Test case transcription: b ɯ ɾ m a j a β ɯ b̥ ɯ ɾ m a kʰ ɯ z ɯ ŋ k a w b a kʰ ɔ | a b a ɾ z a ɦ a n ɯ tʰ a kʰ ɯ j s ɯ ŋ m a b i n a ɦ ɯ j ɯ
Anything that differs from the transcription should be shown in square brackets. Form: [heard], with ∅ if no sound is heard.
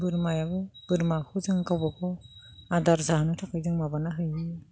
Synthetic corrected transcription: b ɯ ɾ m a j a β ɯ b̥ ɯ ɾ m a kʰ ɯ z ɯ ŋ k a w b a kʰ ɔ | a [d] a ɾ z a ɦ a n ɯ tʰ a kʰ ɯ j [z] ɯ ŋ m a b [a] n a ɦ ɯ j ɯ

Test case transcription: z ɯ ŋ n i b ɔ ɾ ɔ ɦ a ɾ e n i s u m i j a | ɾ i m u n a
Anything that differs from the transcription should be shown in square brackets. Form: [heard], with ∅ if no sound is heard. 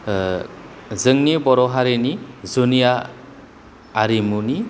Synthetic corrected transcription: z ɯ ŋ n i b ɔ ɾ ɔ ɦ a ɾ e n i [z] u [n] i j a | ɾ i m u n [i]

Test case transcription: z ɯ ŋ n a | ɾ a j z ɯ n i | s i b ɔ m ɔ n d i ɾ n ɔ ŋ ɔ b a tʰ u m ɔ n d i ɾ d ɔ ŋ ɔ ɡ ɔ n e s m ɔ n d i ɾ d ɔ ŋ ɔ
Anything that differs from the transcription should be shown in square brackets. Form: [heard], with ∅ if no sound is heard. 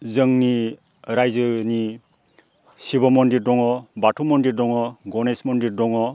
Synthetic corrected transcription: z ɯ ŋ n [i] | ɾ a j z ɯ n i | s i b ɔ m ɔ n d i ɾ [d] ɔ ŋ ɔ b a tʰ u m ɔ n d i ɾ d ɔ ŋ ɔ ɡ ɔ n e s m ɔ n d i ɾ d ɔ ŋ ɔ

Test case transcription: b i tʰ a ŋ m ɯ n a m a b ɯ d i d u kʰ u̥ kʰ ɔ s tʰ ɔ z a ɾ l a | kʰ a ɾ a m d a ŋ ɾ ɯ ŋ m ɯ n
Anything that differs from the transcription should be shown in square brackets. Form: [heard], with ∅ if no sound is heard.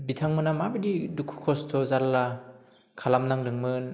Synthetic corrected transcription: b i tʰ a ŋ m ɯ n a m a b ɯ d i d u kʰ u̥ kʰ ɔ s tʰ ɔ z a ɾ l a | kʰ a [l] a m [n] a ŋ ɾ ɯ ŋ m ɯ n

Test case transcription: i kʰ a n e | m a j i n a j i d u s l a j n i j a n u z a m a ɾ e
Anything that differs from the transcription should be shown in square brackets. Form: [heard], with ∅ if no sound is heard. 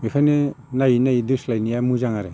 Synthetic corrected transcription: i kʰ a n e | [n] a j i n a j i d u s l a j n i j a [m] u z a [ŋ] a ɾ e

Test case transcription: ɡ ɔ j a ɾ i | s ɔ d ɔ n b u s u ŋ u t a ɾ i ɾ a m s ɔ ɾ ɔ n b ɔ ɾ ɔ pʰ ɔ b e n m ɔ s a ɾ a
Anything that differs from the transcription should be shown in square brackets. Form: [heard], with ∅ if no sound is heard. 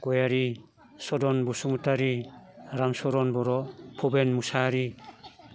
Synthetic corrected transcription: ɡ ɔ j a ɾ i | s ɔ d ɔ n b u s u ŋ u t a ɾ i ɾ a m s ɔ ɾ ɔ n b ɔ ɾ ɔ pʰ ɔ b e n m [u] s a ɾ [i]

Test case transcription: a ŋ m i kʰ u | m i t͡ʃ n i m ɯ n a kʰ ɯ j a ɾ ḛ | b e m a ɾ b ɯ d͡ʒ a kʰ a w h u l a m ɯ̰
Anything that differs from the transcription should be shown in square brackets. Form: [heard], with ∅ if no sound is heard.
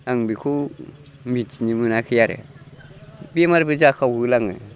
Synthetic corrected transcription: a ŋ [b] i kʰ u | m i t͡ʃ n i m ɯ n a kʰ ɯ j a ɾ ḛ | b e m a ɾ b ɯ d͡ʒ a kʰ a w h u l a [ŋ] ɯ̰

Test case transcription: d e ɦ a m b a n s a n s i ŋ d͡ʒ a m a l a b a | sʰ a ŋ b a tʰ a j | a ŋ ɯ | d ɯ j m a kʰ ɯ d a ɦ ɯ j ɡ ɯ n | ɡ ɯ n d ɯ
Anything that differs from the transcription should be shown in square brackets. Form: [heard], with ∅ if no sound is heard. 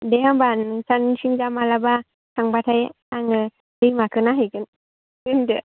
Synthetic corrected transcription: d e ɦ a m b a n s a n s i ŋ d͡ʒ a m a l a b a | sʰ a ŋ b a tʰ a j | a ŋ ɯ | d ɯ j m a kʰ ɯ [n] a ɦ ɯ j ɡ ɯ n | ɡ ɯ n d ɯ

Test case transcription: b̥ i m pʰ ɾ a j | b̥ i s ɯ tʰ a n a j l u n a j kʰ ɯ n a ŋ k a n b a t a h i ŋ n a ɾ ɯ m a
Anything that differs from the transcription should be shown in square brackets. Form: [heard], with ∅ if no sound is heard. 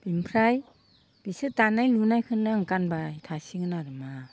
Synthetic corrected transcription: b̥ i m pʰ ɾ a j | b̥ i s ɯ [t] a n a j l u n a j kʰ ɯ n a ŋ k a n b a [tʰ] a [s] i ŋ n a ɾ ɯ m a

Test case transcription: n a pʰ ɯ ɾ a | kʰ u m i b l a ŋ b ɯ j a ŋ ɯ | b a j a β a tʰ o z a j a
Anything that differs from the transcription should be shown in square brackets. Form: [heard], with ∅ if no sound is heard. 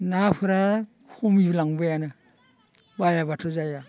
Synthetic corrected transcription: n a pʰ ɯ ɾ a | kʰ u m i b l a ŋ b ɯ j a [n] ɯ | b a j a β a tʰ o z a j a

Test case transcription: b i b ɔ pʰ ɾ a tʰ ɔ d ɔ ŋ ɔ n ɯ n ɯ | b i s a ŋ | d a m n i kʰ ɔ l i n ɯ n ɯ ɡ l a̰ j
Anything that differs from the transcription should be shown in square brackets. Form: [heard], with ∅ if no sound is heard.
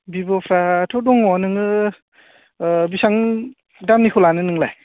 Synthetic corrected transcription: b i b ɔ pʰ ɾ a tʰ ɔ d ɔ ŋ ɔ n ɯ [ŋ] ɯ | b i s a ŋ | d a m n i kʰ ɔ l [a] n ɯ n ɯ [ŋ] l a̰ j

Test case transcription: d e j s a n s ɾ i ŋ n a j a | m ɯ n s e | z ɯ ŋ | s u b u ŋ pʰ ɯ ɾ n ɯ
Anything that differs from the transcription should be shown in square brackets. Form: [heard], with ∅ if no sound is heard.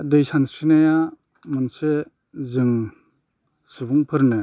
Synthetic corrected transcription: d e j s a n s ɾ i [∅] n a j a | m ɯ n s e | z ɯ ŋ | s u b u ŋ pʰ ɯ ɾ n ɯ

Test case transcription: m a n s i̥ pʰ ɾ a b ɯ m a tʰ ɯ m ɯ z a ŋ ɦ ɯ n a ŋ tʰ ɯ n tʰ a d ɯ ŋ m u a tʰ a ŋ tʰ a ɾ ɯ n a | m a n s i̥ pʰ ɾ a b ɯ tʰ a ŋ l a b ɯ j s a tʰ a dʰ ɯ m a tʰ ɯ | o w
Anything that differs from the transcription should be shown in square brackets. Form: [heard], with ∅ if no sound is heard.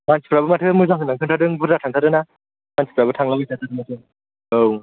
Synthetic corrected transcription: m a n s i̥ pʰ ɾ a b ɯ m a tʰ ɯ m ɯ z a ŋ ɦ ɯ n a ŋ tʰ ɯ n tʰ a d ɯ ŋ [b] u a tʰ a ŋ tʰ a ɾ ɯ n a | m a n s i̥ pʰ ɾ a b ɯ tʰ a ŋ l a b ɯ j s a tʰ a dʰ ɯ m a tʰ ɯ | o w

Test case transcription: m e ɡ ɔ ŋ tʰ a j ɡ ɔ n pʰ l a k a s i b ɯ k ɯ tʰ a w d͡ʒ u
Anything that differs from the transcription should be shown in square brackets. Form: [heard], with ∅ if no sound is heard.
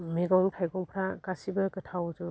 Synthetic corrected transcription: m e ɡ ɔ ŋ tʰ a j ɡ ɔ [ŋ] pʰ [ɾ] a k a s i b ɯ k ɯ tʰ a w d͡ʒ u

